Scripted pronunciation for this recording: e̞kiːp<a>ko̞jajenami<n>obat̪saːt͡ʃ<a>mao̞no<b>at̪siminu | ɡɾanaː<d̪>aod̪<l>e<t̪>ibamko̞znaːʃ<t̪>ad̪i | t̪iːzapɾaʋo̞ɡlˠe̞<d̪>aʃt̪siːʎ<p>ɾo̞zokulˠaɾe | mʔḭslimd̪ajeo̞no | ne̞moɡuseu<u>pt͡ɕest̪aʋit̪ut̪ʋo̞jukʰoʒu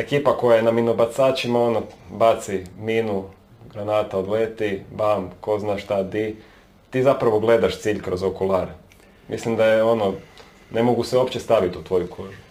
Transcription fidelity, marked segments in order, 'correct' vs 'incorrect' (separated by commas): correct, correct, incorrect, correct, incorrect, correct, correct, correct, correct, incorrect, incorrect